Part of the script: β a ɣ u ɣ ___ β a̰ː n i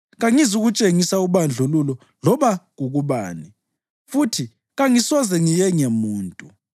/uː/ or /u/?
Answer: u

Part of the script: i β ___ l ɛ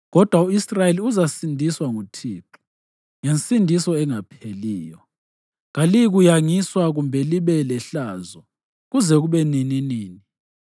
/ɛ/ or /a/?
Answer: ɛ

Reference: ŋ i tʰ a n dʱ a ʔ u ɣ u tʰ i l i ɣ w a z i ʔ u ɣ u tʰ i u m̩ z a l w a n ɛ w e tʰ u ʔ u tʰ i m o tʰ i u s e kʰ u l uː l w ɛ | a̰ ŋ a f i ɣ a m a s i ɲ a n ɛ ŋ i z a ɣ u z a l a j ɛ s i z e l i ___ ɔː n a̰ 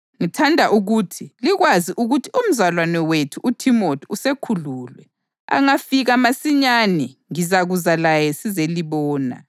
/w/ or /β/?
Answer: β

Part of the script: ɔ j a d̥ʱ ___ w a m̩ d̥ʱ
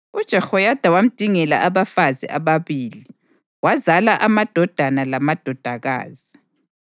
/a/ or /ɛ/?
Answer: a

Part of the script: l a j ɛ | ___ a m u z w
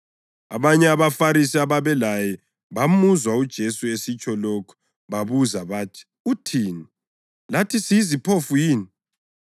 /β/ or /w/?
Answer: β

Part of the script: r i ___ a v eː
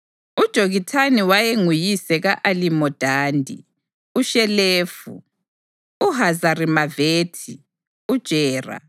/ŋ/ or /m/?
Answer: m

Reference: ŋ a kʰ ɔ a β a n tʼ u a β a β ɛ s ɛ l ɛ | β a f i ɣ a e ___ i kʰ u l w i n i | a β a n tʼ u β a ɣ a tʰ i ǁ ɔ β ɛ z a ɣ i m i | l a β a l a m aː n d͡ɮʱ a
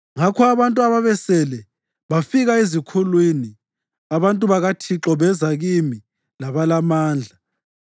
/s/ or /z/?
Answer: z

